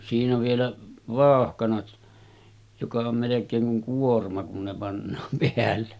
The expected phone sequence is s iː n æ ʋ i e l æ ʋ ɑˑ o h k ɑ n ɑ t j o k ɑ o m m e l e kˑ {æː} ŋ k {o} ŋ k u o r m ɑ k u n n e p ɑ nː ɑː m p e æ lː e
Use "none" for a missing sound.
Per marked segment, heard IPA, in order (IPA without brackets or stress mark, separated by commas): eː, u